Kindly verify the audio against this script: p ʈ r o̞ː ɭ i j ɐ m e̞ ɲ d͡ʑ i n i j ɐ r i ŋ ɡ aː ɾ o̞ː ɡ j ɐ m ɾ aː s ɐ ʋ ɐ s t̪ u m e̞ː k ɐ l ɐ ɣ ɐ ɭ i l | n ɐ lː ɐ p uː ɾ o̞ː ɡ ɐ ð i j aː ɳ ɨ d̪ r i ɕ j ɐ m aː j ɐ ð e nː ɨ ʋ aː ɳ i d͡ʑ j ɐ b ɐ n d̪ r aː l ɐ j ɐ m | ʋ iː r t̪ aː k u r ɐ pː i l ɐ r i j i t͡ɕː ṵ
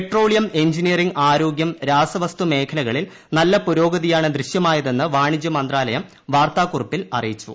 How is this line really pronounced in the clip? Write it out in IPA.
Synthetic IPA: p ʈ r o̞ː ɭ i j ɐ m e̞ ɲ d͡ʑ i n i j ɐ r i ŋ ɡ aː ɾ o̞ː ɡ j ɐ m ɾ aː s ɐ ʋ ɐ s t̪ u m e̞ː kʰ ɐ l ɐ ɣ ɐ ɭ i l | n ɐ lː ɐ p u ɾ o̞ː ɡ ɐ ð i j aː ɳ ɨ d̪ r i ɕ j ɐ m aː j ɐ ð e nː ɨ ʋ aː ɳ i d͡ʑ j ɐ m ɐ n d̪ r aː l ɐ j ɐ m | ʋ aː r t̪ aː k u r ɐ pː i l ɐ r i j i t͡ɕː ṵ